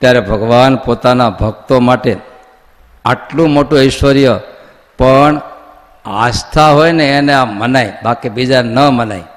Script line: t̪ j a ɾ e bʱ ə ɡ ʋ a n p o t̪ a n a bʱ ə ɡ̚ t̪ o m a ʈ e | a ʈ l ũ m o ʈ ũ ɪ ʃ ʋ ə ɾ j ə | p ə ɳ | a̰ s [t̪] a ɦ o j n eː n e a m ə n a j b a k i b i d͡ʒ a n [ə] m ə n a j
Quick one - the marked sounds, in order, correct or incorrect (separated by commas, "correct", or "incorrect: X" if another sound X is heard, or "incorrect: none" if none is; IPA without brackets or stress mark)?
incorrect: t̪ʰ, correct